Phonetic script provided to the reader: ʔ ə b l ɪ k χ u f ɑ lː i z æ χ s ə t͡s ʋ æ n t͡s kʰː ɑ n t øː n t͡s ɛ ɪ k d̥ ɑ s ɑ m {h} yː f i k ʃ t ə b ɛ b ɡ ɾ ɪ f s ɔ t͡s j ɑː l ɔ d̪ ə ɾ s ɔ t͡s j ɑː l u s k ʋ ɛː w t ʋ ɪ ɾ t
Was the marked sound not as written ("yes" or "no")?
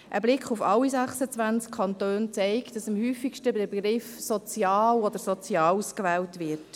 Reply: no